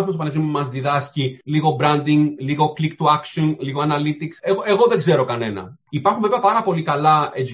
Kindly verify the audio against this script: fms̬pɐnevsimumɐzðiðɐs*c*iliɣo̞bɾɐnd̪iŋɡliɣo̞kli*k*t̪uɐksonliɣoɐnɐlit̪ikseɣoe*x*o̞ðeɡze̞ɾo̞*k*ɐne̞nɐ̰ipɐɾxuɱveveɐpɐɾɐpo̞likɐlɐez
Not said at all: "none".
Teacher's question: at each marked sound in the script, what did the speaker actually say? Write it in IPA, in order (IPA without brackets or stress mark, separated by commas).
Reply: c, k, ɣ, k